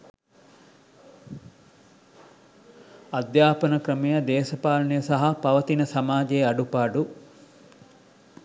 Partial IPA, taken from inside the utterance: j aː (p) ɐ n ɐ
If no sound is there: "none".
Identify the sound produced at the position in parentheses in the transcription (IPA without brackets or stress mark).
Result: p